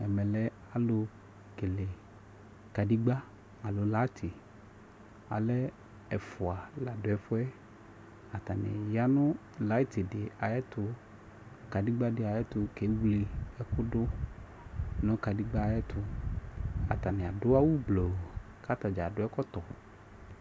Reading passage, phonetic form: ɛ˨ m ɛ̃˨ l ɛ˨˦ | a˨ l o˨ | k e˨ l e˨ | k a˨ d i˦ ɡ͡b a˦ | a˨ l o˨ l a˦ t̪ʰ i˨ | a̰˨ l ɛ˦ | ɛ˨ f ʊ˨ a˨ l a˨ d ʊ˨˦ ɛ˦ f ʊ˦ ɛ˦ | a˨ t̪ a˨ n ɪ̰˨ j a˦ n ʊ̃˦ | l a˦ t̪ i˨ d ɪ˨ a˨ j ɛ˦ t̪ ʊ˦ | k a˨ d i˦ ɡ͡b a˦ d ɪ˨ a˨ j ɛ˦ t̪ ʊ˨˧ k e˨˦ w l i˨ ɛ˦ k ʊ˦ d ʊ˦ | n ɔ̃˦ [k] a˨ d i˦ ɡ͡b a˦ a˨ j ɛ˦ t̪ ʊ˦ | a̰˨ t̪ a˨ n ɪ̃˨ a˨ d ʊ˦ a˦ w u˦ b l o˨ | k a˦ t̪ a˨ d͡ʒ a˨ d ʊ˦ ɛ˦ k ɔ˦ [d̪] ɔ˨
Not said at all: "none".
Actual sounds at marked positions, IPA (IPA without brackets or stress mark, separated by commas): k, t̪